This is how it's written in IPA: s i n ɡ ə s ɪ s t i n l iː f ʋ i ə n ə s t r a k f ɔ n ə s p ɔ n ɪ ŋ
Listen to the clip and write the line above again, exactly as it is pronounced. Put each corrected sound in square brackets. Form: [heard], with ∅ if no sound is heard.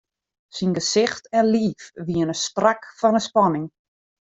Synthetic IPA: s i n ɡ ə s ɪ [x] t [ɛ] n l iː f ʋ i ə n ə s t r a k f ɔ n ə s p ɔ n ɪ ŋ